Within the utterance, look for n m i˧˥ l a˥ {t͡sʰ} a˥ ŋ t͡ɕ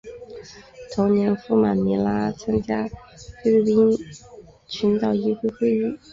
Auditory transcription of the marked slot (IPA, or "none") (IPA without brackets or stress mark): t͡sʰ